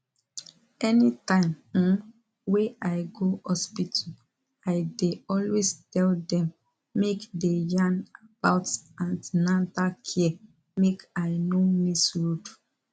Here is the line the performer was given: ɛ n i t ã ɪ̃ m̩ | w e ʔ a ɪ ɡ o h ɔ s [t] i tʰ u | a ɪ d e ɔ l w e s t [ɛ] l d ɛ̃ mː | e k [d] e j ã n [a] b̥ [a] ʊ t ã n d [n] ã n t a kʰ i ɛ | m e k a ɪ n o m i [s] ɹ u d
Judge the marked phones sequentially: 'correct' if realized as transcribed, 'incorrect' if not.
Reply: incorrect: p, correct, correct, correct, correct, correct, correct

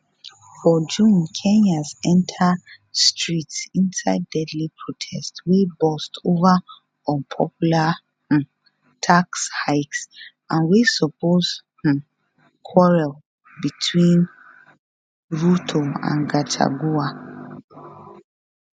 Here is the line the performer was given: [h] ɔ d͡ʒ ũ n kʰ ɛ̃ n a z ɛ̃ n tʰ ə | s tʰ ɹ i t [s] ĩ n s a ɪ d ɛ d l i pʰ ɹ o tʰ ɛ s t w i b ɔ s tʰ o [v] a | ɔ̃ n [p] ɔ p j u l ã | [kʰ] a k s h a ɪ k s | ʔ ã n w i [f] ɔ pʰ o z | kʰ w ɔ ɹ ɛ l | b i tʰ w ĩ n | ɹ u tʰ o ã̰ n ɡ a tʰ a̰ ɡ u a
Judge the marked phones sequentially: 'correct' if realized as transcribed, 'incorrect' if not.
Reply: incorrect: f, correct, correct, incorrect: pʰ, incorrect: tʰ, incorrect: s

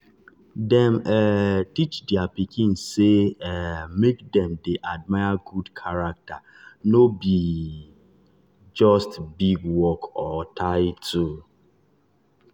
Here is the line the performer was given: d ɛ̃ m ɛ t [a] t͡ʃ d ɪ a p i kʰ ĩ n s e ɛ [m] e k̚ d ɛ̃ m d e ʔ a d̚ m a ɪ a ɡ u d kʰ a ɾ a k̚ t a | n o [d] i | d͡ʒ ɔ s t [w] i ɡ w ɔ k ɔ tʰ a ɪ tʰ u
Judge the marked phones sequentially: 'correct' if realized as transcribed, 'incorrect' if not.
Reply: incorrect: i, correct, incorrect: b, incorrect: b

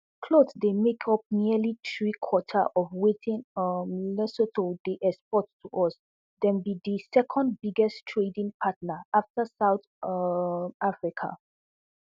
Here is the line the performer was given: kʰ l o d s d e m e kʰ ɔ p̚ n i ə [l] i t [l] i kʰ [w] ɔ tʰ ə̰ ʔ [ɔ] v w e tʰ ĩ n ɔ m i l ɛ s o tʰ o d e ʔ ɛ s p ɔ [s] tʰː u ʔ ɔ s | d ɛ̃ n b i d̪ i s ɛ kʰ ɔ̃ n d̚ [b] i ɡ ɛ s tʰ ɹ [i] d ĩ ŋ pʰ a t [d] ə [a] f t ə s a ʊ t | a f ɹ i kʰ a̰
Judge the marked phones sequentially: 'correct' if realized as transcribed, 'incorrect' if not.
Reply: correct, incorrect: ɹ, correct, correct, incorrect: t, correct, incorrect: e, incorrect: n, correct

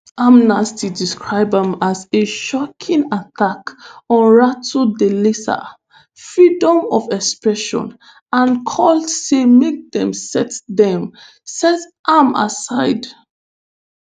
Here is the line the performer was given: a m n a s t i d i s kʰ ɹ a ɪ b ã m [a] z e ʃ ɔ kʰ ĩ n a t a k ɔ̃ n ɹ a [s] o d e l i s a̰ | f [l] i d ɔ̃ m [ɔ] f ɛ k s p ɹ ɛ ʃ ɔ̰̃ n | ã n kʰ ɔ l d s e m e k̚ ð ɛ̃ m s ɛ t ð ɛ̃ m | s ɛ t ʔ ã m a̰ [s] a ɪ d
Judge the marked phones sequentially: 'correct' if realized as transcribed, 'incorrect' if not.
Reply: correct, incorrect: t, incorrect: ɹ, correct, correct

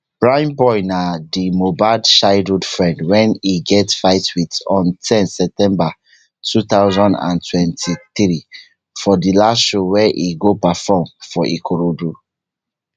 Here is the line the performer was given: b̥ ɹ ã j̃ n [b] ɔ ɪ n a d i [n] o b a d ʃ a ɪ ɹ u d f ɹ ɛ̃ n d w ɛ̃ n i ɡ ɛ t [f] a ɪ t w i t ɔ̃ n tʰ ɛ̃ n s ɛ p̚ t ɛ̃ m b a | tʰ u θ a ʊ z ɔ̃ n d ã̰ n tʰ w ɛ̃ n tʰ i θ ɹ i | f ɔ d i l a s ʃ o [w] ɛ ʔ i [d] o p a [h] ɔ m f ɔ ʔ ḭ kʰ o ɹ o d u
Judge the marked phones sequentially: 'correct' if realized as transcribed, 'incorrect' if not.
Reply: correct, incorrect: m, correct, correct, incorrect: ɡ, incorrect: f

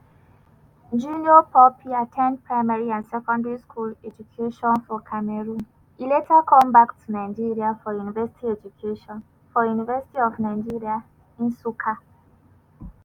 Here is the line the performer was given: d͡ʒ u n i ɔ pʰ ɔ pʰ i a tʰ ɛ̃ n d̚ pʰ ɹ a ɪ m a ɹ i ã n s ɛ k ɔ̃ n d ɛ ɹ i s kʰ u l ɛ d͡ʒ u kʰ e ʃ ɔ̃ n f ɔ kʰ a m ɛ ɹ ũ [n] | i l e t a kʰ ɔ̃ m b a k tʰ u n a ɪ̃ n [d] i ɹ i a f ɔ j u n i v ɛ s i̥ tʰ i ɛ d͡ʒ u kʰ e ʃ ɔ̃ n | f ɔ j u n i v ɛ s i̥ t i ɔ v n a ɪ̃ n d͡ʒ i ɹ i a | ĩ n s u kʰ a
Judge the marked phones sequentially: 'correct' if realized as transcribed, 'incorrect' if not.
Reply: correct, incorrect: d͡ʒ

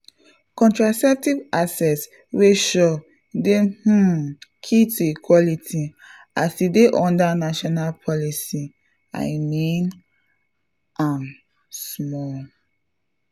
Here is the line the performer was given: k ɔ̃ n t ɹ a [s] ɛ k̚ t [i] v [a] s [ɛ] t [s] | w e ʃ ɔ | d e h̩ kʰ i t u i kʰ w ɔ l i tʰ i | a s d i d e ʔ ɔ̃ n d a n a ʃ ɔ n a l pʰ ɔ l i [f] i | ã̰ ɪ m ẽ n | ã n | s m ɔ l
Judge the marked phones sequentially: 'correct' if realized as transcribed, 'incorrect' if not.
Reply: correct, correct, correct, correct, correct, incorrect: s

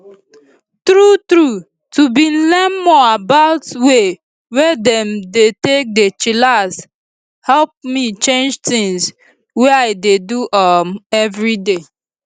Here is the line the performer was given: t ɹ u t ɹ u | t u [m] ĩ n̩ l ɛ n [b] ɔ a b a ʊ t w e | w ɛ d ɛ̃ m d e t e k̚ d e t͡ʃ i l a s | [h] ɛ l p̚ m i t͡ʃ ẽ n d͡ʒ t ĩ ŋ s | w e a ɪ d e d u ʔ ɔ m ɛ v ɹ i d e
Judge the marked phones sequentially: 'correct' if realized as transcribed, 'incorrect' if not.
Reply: incorrect: b, incorrect: m, correct

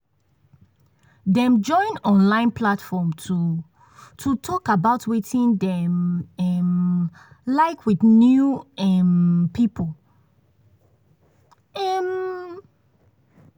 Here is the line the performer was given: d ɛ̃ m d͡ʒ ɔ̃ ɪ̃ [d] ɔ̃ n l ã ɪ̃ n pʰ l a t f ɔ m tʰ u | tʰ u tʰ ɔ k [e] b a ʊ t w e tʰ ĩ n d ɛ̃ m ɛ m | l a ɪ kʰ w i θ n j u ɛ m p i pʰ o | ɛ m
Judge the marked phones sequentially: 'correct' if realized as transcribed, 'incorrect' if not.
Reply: incorrect: n, incorrect: a

